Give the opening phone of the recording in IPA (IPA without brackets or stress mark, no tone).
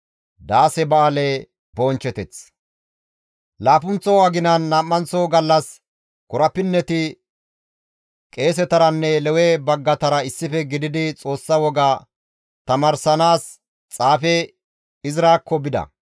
d̪